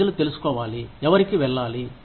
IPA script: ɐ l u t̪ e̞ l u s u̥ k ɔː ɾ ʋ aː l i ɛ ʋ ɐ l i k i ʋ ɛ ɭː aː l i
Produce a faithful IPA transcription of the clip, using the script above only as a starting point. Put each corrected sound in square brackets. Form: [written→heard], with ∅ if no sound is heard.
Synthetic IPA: ɐ l u t̪ e̞ l u s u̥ k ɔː [ɾ→∅] ʋ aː l i ɛ ʋ ɐ [l→ɾ] i k i ʋ ɛ ɭː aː l i